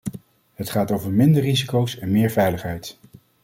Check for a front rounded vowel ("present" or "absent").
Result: absent